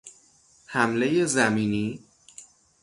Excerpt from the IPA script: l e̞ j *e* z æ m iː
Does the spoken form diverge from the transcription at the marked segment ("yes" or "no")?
no